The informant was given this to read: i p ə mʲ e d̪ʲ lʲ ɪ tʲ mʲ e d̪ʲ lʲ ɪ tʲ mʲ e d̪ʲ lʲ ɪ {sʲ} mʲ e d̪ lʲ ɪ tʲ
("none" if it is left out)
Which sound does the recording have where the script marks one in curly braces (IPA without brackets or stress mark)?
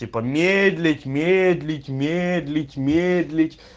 tʲ